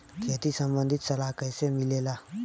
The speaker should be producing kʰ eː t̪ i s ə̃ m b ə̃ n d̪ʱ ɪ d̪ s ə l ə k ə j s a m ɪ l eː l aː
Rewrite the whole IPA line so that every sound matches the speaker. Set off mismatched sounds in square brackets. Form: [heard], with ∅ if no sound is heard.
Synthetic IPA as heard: kʰ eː t̪ i s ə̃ m b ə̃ n d̪ʱ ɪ [t̪] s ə l [a] k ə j s [e] m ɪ l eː l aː